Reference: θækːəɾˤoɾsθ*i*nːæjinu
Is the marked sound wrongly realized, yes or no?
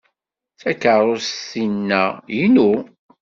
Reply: no